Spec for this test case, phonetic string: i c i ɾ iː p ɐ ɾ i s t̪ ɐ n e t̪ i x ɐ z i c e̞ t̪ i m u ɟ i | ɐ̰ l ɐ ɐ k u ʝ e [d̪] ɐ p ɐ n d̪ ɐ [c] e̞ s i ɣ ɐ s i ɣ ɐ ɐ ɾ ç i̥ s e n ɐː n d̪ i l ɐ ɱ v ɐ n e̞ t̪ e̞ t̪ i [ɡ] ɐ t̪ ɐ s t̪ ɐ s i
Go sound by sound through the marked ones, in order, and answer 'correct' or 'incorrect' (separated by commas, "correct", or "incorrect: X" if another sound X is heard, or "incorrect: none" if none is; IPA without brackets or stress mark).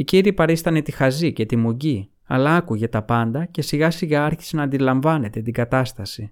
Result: incorrect: t̪, correct, correct